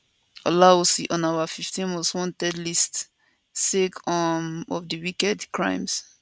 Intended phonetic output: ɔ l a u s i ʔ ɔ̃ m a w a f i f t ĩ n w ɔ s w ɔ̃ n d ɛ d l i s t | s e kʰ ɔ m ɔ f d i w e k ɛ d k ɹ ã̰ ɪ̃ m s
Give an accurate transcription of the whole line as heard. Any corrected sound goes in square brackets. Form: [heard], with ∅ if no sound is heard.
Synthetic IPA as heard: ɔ l a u s i ʔ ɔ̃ [n] a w a f i f t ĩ n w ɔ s w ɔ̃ n [t] ɛ d l i s t | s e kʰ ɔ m ɔ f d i w [i] k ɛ d k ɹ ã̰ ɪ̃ m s